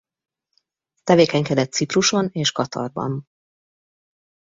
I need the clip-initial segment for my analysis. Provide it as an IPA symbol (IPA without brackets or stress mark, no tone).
t̪